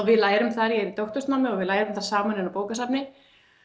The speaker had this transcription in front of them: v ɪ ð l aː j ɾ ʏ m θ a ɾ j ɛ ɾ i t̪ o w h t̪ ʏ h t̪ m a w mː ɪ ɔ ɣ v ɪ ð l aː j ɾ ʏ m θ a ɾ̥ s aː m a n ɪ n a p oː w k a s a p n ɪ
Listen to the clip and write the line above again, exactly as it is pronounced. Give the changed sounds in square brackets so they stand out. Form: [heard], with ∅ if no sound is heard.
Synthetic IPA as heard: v ɪ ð l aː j ɾ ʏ m θ a ɾ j ɛ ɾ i t̪ o w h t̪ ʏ [s] t̪ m a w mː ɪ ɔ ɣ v ɪ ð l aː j ɾ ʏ m θ a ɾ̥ s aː m a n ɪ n a p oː w k a s a p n ɪ